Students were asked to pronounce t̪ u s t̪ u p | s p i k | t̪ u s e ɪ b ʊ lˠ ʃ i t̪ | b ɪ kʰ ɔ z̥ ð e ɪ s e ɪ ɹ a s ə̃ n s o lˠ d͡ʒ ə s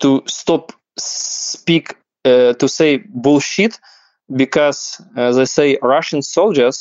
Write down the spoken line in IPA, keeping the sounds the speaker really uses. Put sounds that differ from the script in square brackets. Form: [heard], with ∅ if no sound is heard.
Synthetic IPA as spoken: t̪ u s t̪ [ɔ] p | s p i k | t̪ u s e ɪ b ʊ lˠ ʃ i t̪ | b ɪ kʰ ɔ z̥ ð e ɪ s e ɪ ɹ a [ʃ] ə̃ n s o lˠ d͡ʒ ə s